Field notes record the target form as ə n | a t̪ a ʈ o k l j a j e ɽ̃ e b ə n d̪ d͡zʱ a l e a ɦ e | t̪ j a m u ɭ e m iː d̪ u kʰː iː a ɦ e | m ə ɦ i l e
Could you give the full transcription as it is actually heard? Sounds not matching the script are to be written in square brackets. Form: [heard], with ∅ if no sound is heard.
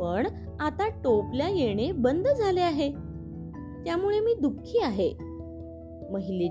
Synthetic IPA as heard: ə [ɳ] | a t̪ a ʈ o [p] l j a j e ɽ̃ e b ə n d̪ d͡zʱ a l e a ɦ e | t̪ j a m u ɭ e m iː d̪ u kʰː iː a ɦ e | m ə ɦ i l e